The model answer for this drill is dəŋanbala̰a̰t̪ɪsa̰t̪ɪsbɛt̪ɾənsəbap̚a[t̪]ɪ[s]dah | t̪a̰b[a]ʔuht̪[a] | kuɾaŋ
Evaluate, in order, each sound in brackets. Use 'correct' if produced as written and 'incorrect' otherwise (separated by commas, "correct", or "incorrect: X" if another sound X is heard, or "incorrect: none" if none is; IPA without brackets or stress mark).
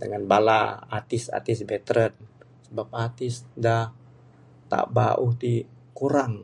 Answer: correct, correct, correct, incorrect: i